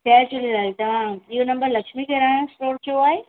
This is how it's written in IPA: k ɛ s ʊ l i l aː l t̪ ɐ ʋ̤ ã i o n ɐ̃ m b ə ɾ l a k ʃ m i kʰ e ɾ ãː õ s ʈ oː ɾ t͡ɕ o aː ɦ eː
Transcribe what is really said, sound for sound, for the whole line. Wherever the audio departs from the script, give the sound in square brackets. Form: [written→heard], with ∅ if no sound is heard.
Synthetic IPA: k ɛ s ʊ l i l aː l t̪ ɐ ʋ̤ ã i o n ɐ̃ m b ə ɾ l [a→ɐ] k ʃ m i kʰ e ɾ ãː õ s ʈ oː ɾ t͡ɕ o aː ɦ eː